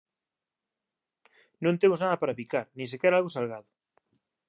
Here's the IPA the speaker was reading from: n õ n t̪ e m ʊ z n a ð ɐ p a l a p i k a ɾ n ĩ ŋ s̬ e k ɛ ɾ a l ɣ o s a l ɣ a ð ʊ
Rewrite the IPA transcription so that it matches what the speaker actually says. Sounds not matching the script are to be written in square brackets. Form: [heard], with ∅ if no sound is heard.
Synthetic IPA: n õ n t̪ e m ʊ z n a ð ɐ p a [ɾ] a p i k a ɾ n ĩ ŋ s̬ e k ɛ ɾ a l ɣ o s a l ɣ a ð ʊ

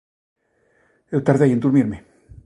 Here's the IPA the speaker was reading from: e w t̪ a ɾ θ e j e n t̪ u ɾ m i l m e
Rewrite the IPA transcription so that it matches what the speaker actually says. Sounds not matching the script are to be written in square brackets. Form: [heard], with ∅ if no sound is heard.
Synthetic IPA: e w t̪ a ɾ [ð] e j e n [d̪] u ɾ m i [ɾ] m e

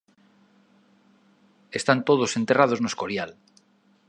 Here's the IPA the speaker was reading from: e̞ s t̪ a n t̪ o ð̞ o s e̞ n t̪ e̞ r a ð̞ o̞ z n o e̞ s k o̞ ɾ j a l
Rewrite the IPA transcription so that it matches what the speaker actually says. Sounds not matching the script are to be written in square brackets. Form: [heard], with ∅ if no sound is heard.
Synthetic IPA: e̞ s t̪ a n t̪ o ð̞ o s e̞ n t̪ e̞ r a ð̞ o̞ z n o e̞ s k o̞ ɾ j a l

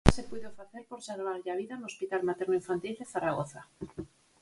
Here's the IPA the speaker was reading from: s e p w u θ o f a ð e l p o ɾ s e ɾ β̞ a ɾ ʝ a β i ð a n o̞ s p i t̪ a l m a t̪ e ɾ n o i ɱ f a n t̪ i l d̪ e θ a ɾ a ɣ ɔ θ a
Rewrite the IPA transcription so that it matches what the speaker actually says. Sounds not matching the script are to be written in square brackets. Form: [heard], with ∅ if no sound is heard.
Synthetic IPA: s e p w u [ð] o f a [θ] e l p o ɾ s e ɾ β̞ a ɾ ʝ a β i ð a n o̞ s p i t̪ a l m a t̪ e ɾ n o i ɱ f a n t̪ i l d̪ e θ a ɾ a ɣ [o] θ a

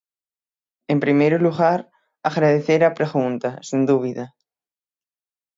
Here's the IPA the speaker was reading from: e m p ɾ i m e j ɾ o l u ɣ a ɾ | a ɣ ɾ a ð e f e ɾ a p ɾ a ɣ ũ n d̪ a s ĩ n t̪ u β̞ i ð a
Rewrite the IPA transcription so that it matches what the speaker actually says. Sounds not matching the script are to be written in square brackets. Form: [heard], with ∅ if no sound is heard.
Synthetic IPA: e m p ɾ i m e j ɾ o l u ɣ a ɾ | a ɣ ɾ a ð e [θ] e ɾ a p ɾ [e] ɣ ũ n [t̪] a s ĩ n [d̪] u β̞ i ð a

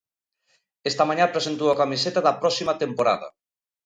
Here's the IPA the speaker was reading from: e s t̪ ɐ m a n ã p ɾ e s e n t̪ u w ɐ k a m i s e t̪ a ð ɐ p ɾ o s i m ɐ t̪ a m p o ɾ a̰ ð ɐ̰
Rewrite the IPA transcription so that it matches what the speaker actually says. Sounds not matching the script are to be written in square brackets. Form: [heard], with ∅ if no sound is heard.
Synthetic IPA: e s t̪ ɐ m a [ɲ] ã p ɾ e s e n t̪ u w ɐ k a m i s e t̪ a ð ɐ p ɾ [ɔ] s i m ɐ t̪ [e] m p o ɾ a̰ ð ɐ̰

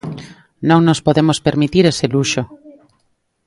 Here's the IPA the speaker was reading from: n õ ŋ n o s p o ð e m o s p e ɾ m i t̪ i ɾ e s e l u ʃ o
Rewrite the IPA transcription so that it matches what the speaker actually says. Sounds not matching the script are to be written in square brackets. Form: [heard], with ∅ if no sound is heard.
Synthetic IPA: n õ ŋ n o s p o ð e m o s p e ɾ m i t̪ i ɾ e s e l u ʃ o

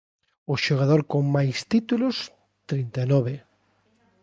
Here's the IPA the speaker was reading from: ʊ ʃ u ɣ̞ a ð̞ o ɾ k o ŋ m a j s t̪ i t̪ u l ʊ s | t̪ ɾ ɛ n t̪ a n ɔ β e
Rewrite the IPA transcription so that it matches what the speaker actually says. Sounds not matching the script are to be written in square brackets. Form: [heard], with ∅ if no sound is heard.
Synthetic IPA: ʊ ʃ [o] ɣ̞ a ð̞ o ɾ k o ŋ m a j s t̪ i t̪ u l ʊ s | t̪ ɾ [i] n t̪ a n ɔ β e

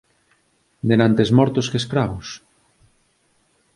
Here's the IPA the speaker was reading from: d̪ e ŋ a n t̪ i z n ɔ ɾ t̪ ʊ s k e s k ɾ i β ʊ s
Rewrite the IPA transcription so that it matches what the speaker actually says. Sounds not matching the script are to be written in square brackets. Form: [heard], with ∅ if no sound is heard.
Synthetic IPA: d̪ e [n] a n t̪ [e] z [m] ɔ ɾ t̪ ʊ s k e s k ɾ [a] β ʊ s

